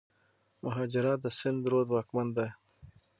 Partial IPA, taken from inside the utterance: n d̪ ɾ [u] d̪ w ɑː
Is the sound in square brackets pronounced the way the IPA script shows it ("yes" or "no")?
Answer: no